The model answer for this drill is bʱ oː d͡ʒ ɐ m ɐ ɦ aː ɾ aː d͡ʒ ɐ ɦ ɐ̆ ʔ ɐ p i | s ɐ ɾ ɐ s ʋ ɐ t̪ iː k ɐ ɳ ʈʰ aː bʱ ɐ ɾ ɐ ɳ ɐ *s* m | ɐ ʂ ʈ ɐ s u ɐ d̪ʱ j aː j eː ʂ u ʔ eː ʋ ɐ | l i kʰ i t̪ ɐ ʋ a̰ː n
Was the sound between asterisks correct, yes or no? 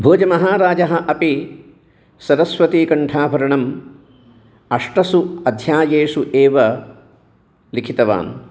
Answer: no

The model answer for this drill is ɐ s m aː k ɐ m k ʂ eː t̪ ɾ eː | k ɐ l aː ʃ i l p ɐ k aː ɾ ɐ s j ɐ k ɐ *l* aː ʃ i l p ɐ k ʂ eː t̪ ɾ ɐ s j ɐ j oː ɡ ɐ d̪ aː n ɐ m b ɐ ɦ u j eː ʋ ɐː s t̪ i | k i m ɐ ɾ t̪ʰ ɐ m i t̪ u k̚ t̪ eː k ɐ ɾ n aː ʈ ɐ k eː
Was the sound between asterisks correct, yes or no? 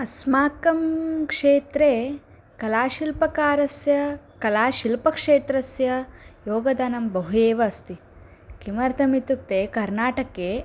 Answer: yes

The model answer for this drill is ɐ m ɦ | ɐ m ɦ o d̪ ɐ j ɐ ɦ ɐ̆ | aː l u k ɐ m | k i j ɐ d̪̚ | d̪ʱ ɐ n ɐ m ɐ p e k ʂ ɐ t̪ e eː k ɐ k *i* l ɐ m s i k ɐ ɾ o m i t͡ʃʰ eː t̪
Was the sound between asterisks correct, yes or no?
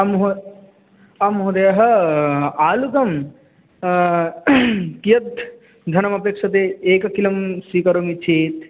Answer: yes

